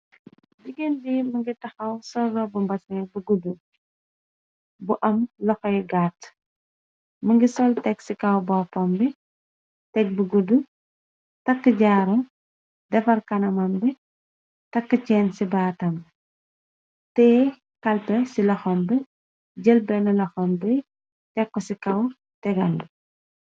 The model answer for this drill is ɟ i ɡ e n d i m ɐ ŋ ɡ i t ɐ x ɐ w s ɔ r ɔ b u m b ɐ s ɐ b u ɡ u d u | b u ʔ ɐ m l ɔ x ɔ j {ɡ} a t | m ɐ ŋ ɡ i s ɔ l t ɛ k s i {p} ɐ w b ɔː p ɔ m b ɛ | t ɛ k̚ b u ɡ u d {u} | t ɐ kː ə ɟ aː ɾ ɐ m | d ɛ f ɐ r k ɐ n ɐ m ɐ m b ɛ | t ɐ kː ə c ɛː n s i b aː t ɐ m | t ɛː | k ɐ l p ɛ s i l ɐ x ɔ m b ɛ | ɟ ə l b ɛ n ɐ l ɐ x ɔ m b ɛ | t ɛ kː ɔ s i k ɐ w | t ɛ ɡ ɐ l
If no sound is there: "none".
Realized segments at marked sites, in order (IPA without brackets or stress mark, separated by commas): ɡ, k, u